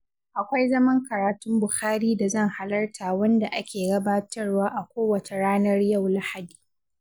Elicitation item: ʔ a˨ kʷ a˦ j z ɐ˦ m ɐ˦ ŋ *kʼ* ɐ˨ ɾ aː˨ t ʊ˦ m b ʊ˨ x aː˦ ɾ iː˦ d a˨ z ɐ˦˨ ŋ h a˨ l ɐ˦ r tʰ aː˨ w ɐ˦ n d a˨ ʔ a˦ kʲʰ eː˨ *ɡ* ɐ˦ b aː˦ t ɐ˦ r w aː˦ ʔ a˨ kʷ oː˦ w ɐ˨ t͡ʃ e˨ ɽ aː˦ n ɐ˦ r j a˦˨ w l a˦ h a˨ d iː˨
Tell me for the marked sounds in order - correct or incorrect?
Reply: incorrect: k, correct

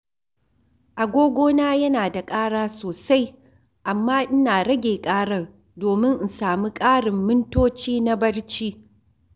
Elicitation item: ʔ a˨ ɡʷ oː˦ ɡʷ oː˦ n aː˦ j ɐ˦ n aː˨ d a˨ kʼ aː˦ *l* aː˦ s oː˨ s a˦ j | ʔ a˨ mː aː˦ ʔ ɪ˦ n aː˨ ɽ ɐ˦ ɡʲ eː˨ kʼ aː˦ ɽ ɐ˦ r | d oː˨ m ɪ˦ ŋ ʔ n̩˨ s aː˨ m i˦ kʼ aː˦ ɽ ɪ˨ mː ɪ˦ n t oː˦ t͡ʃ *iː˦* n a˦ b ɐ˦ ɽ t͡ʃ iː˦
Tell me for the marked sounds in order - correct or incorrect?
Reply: incorrect: ɽ, correct

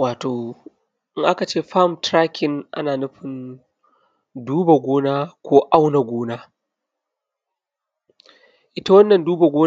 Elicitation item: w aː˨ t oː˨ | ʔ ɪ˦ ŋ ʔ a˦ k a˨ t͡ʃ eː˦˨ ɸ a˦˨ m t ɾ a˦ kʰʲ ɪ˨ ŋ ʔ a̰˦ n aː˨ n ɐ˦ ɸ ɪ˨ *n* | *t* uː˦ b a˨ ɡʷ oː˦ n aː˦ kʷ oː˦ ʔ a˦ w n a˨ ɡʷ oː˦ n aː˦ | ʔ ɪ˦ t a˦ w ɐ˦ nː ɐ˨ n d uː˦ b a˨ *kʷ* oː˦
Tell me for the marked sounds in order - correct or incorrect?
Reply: correct, incorrect: d, incorrect: ɡʷ

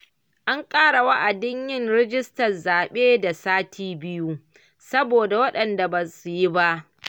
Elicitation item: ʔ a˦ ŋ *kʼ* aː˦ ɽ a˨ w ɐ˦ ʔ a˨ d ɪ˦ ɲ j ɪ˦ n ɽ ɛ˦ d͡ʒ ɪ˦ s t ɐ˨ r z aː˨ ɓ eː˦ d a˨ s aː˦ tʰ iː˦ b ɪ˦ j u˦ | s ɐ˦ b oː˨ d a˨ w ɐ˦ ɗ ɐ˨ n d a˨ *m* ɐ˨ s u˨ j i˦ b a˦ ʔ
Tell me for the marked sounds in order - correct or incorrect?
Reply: correct, incorrect: b

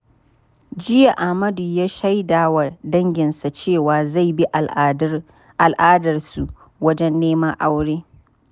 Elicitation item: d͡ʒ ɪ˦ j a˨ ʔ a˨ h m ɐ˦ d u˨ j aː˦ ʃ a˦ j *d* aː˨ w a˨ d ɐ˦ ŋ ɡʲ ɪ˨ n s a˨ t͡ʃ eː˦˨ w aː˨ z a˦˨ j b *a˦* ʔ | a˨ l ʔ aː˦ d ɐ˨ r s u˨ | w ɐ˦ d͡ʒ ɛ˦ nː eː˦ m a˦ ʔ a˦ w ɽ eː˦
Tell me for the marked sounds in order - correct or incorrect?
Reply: correct, incorrect: i˦

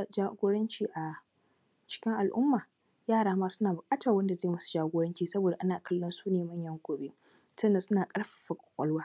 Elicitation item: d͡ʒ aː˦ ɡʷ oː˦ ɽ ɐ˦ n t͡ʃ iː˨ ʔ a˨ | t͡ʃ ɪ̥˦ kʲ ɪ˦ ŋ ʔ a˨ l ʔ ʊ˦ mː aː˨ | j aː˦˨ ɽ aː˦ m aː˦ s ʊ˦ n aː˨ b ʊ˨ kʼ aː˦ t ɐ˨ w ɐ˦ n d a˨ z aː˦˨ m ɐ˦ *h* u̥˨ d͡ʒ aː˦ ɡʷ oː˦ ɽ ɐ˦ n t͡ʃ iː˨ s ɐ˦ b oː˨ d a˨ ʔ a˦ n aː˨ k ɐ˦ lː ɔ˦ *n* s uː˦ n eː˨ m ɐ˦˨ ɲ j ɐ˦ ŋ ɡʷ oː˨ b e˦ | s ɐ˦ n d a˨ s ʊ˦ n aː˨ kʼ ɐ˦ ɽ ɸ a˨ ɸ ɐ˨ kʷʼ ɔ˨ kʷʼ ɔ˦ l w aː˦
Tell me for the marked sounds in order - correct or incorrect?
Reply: incorrect: s, correct

